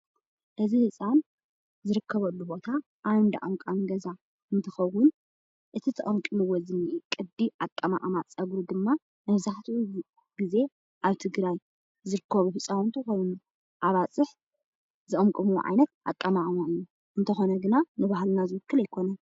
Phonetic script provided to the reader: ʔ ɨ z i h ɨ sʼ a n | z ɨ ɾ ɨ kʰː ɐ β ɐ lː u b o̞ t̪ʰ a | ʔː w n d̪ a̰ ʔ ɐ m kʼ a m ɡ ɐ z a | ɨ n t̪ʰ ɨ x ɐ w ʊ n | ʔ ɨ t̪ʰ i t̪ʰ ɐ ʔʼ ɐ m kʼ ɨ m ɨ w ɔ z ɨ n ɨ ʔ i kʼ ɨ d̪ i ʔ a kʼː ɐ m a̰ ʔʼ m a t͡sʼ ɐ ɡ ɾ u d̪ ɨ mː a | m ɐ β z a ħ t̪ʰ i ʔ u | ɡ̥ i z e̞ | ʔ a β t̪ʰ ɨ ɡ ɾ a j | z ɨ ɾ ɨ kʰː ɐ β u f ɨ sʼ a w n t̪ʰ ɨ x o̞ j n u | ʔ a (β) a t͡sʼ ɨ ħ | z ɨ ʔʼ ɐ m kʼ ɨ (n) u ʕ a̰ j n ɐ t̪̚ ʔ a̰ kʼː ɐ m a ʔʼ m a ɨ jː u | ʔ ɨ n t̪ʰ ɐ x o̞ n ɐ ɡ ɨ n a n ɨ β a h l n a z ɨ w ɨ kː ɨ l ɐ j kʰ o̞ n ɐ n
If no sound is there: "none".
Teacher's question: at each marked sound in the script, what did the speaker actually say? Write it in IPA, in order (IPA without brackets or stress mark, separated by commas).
β, m